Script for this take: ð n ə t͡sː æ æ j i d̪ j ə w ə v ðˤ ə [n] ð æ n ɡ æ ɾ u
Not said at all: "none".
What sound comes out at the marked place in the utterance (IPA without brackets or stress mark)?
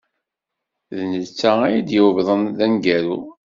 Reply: n